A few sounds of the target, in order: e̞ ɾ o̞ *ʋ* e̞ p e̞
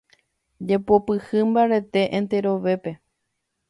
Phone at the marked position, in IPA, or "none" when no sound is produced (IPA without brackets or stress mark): ʋ